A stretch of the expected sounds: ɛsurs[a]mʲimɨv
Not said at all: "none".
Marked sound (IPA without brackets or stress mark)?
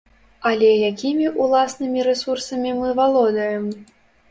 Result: ɐ